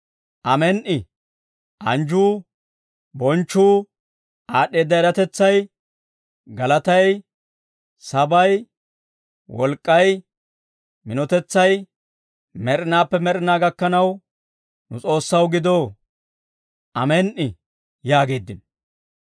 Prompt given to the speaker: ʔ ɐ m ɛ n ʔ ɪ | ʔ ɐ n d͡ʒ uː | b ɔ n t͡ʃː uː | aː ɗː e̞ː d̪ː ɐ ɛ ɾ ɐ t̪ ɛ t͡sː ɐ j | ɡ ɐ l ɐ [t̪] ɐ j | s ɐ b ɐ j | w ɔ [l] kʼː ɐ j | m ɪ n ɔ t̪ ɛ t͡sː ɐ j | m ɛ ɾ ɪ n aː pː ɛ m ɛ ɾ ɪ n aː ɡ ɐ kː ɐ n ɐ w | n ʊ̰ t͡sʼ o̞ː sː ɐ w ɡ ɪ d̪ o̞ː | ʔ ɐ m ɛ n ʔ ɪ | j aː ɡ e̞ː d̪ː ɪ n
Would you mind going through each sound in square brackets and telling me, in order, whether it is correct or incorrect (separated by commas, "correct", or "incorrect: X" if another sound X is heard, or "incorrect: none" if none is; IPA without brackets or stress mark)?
correct, correct